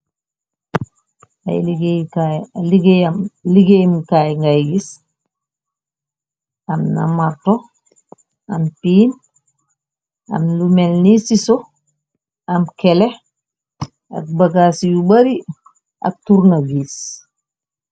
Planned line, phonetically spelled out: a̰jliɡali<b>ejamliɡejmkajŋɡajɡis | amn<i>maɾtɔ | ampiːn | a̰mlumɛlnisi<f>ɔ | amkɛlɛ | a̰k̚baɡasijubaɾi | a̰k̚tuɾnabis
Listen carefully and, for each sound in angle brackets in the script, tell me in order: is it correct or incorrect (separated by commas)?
incorrect, incorrect, incorrect